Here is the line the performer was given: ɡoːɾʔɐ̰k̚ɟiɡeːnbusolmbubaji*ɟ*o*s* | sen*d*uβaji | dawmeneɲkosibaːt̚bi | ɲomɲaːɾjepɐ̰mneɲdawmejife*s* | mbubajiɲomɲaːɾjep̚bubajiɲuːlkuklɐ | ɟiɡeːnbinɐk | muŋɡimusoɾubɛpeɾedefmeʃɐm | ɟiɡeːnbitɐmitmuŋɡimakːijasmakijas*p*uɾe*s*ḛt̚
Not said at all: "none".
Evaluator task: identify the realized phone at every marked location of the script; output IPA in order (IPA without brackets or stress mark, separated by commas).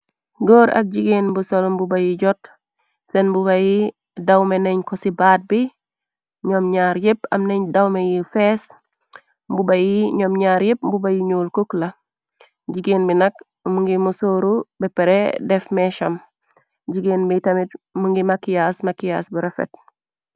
ɟ, t, b, s, b, f